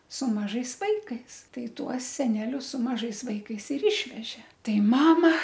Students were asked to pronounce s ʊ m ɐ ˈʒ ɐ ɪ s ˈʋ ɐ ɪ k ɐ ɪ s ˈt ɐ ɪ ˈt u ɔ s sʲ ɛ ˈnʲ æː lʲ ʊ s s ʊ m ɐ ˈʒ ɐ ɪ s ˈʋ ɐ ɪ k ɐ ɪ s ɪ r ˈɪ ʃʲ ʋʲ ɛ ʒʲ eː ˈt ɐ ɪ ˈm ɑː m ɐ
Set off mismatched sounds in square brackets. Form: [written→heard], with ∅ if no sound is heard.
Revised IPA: s ʊ m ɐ ˈʒ ɐ ɪ s ˈʋ ɐ ɪ k ɐ ɪ s ˈt ɐ ɪ ˈt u ɔ s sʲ ɛ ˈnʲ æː lʲ ʊ s s ʊ m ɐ ˈʒ ɐ ɪ s ˈʋ ɐ ɪ k ɐ ɪ s ɪ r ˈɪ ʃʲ ʋʲ ɛ ʒʲ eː ˈt ɐ ɪ ˈm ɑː m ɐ